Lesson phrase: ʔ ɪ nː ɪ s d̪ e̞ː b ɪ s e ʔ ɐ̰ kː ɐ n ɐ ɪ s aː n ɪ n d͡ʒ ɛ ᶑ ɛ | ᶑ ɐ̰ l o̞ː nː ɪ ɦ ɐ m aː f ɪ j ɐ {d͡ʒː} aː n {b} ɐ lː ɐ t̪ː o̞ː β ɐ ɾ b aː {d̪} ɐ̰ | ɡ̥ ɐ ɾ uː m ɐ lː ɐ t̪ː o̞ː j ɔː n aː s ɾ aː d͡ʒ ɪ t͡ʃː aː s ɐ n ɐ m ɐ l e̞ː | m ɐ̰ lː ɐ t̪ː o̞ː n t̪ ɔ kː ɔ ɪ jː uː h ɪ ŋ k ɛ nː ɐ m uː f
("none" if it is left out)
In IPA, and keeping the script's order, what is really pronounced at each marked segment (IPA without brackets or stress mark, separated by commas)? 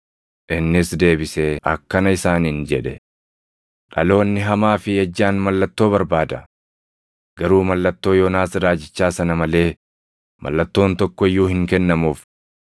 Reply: d͡ʒː, m, d̪